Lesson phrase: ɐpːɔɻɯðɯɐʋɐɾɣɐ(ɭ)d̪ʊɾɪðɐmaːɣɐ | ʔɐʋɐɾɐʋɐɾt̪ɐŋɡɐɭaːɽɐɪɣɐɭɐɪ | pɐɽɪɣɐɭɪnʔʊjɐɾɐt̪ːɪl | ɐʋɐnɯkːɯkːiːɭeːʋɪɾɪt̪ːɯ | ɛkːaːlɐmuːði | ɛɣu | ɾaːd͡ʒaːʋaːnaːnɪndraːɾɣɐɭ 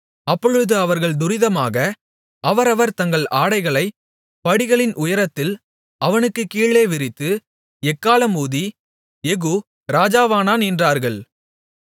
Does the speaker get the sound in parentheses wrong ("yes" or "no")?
no